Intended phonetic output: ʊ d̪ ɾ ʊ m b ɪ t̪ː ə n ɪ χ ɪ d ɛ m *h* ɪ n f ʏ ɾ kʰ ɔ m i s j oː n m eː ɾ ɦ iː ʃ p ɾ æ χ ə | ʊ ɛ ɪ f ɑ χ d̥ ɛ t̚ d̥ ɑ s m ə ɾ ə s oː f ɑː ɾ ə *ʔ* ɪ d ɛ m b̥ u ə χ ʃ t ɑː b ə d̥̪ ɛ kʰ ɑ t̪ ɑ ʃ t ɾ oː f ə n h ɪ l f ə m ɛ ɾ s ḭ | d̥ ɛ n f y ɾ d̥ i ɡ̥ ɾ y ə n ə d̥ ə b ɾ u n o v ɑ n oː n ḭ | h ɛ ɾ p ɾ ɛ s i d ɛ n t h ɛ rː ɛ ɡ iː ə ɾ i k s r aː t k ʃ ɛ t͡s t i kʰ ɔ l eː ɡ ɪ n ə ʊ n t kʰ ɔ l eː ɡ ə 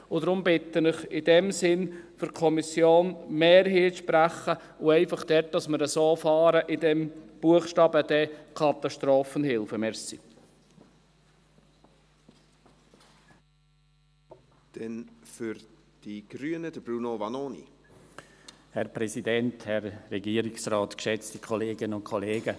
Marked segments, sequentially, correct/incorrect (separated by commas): incorrect, correct